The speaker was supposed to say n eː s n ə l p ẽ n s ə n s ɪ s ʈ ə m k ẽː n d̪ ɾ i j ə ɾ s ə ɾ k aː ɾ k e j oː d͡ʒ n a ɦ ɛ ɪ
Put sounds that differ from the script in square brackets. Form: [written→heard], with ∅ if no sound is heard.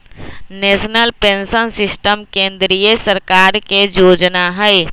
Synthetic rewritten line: n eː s n ə l p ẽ n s ə n s ɪ s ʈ ə m k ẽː n d̪ ɾ i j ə [ɾ→∅] s ə ɾ k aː ɾ k e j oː d͡ʒ n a ɦ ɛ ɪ